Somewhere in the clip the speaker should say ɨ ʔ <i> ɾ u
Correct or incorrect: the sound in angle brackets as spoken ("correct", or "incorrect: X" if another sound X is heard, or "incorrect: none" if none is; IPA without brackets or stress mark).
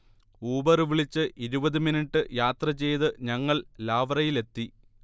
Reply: correct